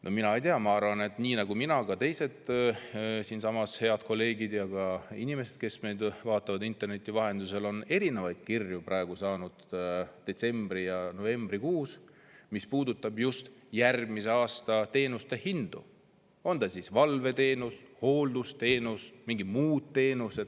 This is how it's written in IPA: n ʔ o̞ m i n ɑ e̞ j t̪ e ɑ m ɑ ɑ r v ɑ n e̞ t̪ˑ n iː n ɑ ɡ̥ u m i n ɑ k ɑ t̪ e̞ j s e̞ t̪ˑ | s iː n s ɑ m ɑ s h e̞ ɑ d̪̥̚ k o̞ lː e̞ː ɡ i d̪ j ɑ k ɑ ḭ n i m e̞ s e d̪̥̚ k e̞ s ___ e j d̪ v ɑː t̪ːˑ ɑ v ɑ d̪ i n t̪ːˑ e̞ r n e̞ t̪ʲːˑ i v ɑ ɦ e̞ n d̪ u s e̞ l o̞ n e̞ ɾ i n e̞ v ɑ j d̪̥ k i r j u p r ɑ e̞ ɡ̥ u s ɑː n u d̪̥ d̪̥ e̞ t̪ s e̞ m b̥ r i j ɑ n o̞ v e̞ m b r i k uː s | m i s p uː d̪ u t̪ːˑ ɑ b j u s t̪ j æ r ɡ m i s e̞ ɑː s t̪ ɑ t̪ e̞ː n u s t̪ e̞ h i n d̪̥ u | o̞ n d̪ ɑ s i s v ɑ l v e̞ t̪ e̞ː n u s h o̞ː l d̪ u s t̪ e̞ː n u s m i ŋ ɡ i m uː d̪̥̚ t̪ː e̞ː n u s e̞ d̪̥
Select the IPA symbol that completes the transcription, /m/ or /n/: m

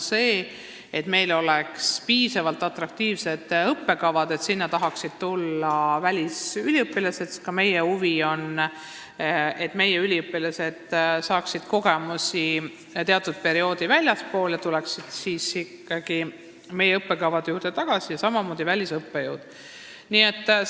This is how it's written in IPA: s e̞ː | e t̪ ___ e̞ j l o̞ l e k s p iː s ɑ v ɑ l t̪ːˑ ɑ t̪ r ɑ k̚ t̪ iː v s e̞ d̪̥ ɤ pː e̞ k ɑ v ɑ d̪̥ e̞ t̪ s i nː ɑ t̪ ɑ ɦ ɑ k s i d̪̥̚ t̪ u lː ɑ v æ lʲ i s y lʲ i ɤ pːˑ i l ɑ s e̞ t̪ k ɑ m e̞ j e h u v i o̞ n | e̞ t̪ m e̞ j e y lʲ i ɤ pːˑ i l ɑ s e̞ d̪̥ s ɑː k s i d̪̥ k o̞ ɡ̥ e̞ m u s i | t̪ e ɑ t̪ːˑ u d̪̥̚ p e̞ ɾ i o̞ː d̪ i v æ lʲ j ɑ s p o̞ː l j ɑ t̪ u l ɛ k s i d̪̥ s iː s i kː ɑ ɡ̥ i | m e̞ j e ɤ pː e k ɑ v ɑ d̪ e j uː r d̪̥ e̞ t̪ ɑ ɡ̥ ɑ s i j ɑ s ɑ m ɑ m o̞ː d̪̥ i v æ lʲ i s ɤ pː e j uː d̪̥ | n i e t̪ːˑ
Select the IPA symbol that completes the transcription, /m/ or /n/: m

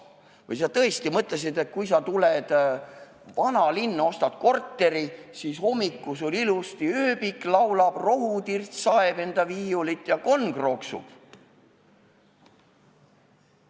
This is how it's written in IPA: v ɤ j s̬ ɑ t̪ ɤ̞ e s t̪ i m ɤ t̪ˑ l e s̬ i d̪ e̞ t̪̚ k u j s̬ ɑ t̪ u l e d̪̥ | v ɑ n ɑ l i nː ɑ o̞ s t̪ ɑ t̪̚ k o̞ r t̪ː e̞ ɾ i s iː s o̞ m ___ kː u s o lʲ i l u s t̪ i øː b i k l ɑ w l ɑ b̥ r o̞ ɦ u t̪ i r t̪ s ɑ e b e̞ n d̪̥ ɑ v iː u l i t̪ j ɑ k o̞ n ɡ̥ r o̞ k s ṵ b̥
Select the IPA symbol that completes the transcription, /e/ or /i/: i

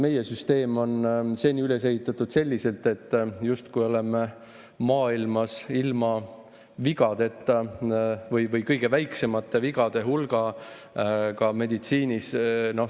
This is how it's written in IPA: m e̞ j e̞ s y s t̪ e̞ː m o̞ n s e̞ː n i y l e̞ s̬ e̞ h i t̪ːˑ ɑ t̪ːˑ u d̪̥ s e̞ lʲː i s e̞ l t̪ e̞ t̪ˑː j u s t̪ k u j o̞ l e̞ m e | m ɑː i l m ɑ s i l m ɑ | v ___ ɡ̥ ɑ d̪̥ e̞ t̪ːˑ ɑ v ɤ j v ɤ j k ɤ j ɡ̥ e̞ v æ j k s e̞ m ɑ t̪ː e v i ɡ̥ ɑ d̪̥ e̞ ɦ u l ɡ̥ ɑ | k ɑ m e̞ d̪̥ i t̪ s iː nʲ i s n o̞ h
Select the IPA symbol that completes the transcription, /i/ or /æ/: i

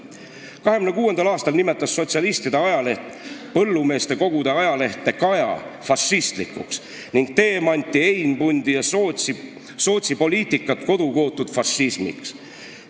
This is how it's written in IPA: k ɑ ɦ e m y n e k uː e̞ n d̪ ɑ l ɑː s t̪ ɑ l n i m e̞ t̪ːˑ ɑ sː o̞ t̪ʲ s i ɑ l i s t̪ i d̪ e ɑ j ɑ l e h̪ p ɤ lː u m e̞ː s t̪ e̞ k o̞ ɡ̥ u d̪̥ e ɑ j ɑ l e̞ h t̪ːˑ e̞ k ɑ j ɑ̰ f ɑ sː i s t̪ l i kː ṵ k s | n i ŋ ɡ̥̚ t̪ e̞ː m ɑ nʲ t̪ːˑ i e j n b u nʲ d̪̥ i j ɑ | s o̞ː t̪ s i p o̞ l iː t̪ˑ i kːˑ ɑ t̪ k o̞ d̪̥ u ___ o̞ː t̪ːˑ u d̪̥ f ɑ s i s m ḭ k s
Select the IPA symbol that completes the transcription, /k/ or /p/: k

